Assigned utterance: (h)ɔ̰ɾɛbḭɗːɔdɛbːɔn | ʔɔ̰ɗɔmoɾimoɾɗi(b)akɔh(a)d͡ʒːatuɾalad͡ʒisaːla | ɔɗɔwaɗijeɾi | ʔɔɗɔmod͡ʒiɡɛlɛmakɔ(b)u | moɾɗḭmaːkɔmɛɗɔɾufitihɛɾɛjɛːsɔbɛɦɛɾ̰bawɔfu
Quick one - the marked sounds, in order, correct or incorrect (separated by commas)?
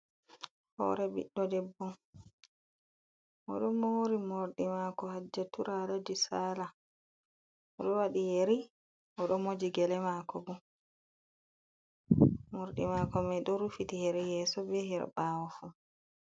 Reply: correct, incorrect, correct, correct